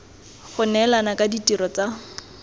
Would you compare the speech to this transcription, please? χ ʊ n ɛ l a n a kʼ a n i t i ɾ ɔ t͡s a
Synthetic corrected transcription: χ ʊ n ɛ l a n a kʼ a d i t i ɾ ɔ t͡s a